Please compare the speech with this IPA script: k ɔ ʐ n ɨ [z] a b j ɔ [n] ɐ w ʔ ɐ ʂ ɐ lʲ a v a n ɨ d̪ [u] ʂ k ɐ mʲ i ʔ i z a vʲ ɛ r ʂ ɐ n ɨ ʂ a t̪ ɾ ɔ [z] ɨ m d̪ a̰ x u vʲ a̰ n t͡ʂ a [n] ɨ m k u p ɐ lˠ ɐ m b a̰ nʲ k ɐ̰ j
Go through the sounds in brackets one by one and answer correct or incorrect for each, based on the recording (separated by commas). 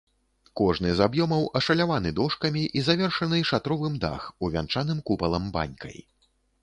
correct, incorrect, incorrect, incorrect, correct